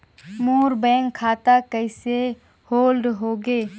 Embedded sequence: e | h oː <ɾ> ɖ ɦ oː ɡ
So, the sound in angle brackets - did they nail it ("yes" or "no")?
no